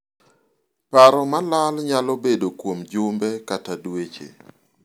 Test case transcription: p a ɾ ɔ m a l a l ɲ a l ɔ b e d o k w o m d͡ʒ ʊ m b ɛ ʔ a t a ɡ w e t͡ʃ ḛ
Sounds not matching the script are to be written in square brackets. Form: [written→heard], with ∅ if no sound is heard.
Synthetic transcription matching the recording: p a ɾ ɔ m a l a l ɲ a l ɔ b e d o k w o m d͡ʒ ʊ m b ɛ [ʔ→k] a t a [ɡ→d] w e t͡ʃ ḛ